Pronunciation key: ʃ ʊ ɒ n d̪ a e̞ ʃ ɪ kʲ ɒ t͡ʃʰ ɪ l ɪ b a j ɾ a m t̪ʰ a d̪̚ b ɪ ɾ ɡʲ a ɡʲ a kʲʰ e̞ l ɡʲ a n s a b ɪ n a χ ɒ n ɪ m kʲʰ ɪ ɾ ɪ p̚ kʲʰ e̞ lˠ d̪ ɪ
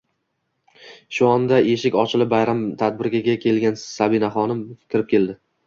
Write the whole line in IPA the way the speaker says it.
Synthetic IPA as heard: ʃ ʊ ɒ n d̪ a e̞ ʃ ɪ kʲ ɒ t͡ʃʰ ɪ l ɪ b a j ɾ a m t̪ʰ a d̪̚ b ɪ ɾ ɡʲ a ɡʲ a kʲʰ e̞ l ɡʲ a n s a b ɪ n a χ ɒ n ɪ m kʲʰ ɪ ɾ ɪ p̚ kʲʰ e̞ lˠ d̪ ɪ